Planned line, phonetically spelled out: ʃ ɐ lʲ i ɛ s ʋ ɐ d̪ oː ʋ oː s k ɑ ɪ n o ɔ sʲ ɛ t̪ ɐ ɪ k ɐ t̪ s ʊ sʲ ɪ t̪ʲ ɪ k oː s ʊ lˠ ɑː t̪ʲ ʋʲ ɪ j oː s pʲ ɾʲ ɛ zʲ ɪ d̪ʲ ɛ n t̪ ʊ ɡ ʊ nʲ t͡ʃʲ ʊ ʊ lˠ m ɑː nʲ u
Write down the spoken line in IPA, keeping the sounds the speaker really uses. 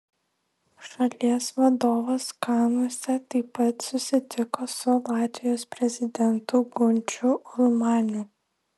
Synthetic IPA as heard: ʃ ɐ lʲ i ɛ s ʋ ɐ d̪ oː ʋ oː s k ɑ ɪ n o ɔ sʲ ɛ t̪ ɐ ɪ p ɐ t̪ s ʊ sʲ ɪ t̪ʲ ɪ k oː s ʊ lˠ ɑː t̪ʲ ʋʲ ɪ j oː s pʲ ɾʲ ɛ zʲ ɪ d̪ʲ ɛ n t̪ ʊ ɡ ʊ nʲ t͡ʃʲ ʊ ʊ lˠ m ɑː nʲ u